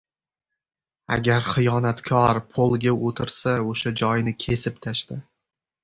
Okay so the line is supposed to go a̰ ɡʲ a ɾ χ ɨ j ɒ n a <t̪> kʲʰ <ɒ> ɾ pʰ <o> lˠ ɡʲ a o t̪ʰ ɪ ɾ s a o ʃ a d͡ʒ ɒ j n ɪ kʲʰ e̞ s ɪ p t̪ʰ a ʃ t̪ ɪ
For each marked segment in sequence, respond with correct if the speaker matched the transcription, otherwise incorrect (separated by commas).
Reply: correct, correct, correct